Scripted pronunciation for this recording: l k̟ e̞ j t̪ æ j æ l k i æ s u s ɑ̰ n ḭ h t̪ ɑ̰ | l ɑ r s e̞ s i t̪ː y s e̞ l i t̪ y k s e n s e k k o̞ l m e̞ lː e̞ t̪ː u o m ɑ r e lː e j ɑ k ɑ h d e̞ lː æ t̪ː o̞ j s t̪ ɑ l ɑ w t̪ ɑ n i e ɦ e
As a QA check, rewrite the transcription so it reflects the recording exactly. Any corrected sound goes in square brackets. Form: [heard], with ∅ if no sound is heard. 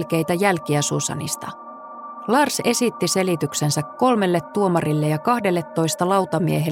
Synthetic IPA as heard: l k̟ e̞ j t̪ æ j æ l k i æ s u s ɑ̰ n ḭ [s] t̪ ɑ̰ | l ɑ r s e̞ s i t̪ː [i] s e̞ l i t̪ y k s e n s [æ] k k o̞ l m e̞ lː e̞ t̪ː u o m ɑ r [i] lː e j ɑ k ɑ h d e̞ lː [e] t̪ː o̞ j s t̪ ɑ l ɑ w t̪ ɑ [m] i e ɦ e